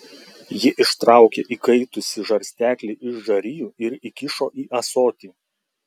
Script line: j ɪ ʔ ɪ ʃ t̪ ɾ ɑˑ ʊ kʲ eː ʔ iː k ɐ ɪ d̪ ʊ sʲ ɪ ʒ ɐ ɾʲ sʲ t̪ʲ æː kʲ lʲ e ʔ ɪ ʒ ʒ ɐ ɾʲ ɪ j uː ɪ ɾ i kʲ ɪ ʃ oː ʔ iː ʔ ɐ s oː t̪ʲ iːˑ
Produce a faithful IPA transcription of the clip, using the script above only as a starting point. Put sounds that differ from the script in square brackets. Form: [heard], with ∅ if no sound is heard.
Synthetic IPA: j ɪ ʔ ɪ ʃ t̪ ɾ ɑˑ ʊ kʲ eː ʔ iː k ɐ ɪ [t̪] ʊ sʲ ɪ ʒ ɐ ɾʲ sʲ t̪ʲ æː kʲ lʲ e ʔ ɪ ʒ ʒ ɐ ɾʲ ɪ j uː ɪ ɾ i kʲ ɪ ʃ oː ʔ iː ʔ ɐ s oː t̪ʲ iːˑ